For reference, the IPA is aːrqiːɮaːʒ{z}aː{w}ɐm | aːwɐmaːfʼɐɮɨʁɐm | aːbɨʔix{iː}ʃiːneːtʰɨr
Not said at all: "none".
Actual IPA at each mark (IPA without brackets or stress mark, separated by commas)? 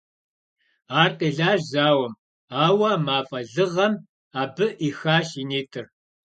z, w, aː